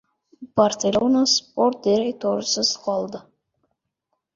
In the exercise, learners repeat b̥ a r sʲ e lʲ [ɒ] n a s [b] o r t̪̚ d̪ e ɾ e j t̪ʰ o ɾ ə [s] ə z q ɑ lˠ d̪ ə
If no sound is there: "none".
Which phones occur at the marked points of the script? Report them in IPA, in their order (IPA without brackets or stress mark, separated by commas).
o, p, s